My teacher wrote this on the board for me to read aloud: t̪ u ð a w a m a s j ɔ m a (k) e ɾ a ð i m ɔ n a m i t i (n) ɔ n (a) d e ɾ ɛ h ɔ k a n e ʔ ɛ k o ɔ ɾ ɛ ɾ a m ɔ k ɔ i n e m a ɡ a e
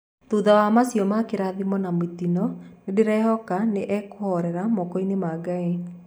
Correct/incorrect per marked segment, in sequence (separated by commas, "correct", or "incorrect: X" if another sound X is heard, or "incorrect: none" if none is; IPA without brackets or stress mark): correct, correct, incorrect: e